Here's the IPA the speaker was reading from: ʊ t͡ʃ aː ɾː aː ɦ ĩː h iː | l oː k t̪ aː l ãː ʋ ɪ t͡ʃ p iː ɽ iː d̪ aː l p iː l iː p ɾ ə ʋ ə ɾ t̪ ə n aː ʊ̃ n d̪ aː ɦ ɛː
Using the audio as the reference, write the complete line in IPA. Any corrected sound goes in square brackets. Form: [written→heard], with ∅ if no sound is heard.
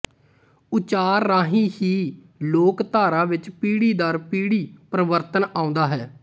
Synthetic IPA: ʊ t͡ʃ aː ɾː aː ɦ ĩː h iː | l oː k t̪ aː [l→ɾ] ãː ʋ ɪ t͡ʃ p iː ɽ iː d̪ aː [l→ɾ] p iː [l→ɽ] iː p ɾ ə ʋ ə ɾ t̪ ə n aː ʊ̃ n d̪ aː ɦ ɛː